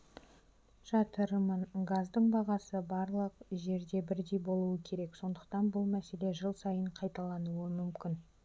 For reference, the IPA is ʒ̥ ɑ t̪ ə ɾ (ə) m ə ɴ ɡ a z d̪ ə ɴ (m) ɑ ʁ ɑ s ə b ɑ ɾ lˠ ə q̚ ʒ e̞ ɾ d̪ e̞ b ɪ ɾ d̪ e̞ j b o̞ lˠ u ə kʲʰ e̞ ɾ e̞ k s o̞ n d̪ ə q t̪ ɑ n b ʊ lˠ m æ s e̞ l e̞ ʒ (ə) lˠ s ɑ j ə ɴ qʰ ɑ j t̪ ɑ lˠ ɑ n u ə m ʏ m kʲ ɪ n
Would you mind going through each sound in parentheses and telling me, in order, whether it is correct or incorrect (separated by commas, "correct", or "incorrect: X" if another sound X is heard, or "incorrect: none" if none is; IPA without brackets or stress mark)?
correct, incorrect: b, correct